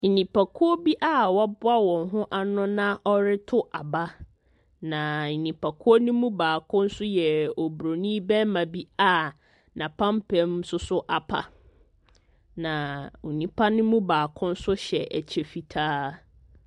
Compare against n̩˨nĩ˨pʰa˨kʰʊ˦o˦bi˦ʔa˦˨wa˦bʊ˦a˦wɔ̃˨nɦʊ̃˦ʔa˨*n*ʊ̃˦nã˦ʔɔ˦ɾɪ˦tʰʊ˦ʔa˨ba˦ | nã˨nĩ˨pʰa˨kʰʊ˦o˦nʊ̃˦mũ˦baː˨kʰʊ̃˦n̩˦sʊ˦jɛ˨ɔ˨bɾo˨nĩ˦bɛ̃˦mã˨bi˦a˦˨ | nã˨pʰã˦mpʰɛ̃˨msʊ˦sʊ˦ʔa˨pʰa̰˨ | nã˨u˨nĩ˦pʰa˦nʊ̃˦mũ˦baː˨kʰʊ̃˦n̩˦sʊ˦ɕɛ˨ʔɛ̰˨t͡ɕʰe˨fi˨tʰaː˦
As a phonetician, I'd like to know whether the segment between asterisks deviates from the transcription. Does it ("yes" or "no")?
no